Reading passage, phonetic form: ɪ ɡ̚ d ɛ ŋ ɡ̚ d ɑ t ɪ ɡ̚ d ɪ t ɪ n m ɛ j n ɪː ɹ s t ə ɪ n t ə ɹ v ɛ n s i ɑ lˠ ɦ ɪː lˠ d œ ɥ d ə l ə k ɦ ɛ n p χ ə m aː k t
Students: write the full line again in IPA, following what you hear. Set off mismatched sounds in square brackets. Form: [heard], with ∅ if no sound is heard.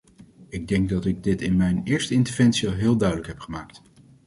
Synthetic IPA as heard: ɪ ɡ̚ d ɛ ŋ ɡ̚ d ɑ t ɪ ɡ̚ d ɪ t ɪ n m ɛ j n ɪː ɹ s t ə ɪ n t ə ɹ v ɛ n s i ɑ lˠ ɦ ɪː lˠ d œ ɥ d ə l ə k ɦ ɛ [∅] p χ ə m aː k t

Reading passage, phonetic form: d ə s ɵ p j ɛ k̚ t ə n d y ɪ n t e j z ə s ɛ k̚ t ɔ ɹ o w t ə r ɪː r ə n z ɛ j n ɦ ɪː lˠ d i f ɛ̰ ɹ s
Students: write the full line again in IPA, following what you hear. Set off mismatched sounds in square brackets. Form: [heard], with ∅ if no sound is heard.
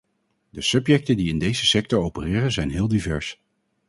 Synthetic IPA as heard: d ə s ɵ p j ɛ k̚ t ə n d [i] ɪ n [d] e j z ə s ɛ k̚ t ɔ ɹ o w [p] ə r ɪː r ə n z ɛ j n ɦ ɪː lˠ d i [v] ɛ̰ ɹ s

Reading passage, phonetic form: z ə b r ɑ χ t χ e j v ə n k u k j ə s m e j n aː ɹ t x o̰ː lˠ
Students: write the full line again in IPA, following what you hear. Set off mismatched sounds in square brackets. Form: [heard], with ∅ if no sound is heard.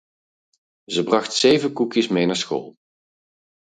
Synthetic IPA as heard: z ə b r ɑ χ t [s] e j v ə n k u k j ə s m e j n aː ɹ [s] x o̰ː lˠ

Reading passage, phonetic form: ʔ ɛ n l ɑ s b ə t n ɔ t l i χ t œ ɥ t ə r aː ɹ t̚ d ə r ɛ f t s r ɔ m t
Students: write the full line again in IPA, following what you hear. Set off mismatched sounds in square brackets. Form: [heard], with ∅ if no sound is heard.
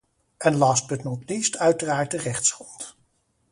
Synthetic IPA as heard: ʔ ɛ n l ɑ s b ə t n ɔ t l i [s] t œ ɥ t ə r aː ɹ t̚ d ə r ɛ [χ] t s r ɔ [n] t

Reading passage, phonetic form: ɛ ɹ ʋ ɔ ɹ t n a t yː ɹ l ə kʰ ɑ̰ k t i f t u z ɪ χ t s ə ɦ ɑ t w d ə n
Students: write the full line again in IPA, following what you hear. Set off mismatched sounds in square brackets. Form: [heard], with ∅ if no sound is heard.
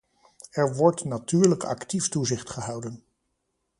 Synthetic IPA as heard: ɛ ɹ ʋ ɔ ɹ t n a t yː ɹ l ə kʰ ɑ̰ k t i f t u z ɪ χ t [χ] ə ɦ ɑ [∅] w d ə n

